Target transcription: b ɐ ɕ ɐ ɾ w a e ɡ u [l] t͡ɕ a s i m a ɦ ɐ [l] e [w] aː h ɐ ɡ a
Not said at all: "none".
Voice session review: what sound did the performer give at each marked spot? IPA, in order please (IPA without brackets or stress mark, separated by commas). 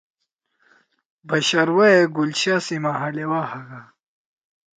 l, l, w